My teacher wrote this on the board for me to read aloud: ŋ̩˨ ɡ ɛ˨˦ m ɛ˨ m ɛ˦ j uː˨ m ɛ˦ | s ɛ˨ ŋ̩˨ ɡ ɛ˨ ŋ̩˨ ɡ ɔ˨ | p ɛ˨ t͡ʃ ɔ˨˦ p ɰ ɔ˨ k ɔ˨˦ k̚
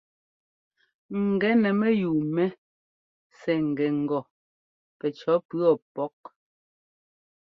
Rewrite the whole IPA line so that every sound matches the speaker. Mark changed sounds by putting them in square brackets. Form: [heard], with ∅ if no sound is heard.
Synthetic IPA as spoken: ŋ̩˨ ɡ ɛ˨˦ [n] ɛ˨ m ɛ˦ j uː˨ m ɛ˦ | s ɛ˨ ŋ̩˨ ɡ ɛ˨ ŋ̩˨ ɡ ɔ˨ | p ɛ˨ t͡ʃ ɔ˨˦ p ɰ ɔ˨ [p] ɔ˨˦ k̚